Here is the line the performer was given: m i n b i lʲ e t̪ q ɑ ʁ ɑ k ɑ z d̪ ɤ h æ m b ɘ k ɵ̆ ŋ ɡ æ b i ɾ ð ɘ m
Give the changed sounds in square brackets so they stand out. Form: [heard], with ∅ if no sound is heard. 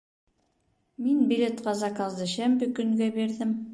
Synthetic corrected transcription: m i n b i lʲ e t̪ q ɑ [z] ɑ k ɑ z d̪ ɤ [ɕ] æ m b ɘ k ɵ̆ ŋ ɡ æ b i ɾ ð ɘ m